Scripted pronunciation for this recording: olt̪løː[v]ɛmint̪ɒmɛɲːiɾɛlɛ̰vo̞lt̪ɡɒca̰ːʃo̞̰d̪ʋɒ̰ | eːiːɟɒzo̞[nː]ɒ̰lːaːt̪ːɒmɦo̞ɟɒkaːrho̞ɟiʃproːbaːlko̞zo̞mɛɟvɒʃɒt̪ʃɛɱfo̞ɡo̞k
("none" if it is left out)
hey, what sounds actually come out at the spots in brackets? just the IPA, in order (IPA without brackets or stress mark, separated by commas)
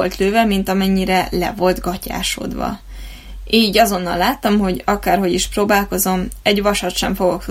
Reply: v, nː